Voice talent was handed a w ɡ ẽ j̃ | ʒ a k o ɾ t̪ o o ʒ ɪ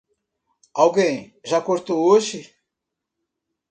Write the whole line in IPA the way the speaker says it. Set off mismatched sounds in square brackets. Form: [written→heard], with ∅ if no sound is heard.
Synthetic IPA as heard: a w ɡ ẽ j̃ | ʒ a k o ɾ t̪ o o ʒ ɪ